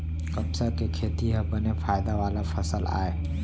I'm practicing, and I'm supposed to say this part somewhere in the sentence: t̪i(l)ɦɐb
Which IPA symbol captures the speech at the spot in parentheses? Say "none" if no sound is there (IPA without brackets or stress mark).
none